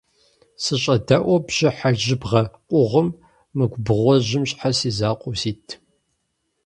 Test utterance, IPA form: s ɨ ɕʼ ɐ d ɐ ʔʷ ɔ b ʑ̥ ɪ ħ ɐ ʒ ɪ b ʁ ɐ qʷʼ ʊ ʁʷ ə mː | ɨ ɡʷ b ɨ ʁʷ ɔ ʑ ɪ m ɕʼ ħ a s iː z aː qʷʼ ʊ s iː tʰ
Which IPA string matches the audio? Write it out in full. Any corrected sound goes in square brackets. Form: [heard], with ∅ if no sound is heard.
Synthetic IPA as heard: s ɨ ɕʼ ɐ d ɐ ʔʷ ɔ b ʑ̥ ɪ ħ [a] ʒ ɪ b ʁ ɐ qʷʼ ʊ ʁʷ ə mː | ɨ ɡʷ b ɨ ʁʷ ɔ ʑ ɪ m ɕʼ ħ a s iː z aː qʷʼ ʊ s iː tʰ